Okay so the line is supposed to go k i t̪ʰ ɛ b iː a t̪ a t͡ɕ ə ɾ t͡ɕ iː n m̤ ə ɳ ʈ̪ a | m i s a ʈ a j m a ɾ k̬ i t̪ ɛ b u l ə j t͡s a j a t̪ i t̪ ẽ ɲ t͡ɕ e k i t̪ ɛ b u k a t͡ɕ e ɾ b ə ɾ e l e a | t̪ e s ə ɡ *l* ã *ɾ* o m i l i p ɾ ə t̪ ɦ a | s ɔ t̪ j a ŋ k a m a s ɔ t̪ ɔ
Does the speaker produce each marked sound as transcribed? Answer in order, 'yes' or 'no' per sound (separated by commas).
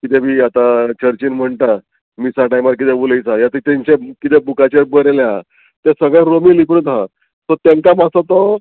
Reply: no, yes